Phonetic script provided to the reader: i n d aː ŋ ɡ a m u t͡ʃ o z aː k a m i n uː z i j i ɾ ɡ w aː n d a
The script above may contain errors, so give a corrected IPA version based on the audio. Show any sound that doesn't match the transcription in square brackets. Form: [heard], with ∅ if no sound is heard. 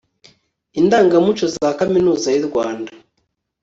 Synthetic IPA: i n d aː ŋ ɡ a m u t͡ʃ o z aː k a m i n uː z [a] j i ɾ ɡ w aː n d a